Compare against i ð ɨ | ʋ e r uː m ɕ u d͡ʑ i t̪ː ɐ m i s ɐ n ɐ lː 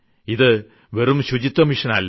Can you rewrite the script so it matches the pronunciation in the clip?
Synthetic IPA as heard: i ð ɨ | ʋ e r u m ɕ u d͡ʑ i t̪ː ɐ m i ʂ ɐ n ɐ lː